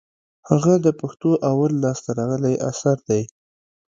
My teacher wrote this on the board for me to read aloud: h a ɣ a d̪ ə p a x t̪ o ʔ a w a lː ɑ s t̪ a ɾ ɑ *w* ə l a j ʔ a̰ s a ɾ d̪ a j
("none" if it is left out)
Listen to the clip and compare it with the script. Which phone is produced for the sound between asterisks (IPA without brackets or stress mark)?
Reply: ɣ